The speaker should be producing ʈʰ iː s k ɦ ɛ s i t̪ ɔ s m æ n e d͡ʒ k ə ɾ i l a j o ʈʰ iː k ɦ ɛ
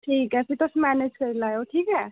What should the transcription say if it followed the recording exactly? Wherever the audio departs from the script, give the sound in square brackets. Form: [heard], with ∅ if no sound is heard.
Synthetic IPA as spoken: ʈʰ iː [∅] k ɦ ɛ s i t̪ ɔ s m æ n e d͡ʒ k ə ɾ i l a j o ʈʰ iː k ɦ ɛ